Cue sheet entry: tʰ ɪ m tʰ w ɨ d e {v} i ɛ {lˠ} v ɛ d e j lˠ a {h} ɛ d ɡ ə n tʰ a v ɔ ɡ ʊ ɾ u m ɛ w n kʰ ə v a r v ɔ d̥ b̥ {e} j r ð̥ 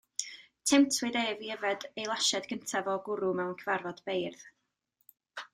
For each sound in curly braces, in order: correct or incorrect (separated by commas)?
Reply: correct, incorrect, incorrect, correct